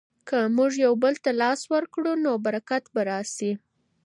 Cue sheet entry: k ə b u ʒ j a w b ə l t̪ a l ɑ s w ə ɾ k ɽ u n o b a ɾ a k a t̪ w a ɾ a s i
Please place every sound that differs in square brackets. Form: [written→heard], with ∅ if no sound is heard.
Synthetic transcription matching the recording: k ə [b→m] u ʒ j a w b ə l t̪ a l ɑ s w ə ɾ k ɽ u n o b a ɾ a k a t̪ [w→b] a ɾ [a→ɑ] s i